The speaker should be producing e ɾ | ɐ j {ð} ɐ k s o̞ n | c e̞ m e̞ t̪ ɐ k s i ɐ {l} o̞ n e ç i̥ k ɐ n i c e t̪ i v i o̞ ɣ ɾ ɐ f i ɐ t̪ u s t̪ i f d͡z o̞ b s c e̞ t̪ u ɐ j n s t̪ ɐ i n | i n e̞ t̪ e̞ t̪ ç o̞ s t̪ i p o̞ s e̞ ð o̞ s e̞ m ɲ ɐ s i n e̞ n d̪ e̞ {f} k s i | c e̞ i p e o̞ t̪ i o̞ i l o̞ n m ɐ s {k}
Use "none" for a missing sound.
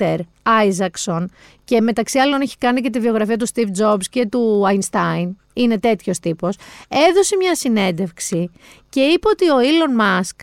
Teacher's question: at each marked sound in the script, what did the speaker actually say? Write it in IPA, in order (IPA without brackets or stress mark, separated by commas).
z, l, f, k